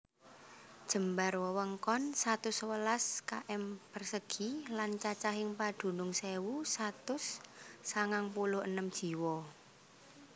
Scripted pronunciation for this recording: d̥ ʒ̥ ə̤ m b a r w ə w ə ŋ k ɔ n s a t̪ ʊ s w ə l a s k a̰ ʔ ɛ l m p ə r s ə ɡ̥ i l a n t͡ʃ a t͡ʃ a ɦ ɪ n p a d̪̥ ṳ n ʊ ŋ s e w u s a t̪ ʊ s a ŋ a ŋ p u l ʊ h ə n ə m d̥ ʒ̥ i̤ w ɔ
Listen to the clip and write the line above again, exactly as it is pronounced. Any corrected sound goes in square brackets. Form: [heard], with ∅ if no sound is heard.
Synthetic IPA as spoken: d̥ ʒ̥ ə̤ m b a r w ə w ə ŋ k ɔ n s a t̪ ʊ s w ə l a s k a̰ ʔ ɛ [∅] m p ə r s ə ɡ̥ i l a n t͡ʃ a t͡ʃ a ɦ ɪ [ŋ] p a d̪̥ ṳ n ʊ ŋ s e w u s a t̪ ʊ [sː] a ŋ a ŋ p u l ʊ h ə n ə m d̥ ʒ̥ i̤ w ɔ